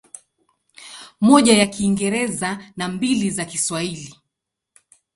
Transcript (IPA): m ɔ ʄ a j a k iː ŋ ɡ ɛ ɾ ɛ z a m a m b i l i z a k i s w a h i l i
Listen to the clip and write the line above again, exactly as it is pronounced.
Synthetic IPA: m ɔ ʄ a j a k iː ŋ ɡ ɛ ɾ ɛ z a n a m b i l i z a k i s w a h i l i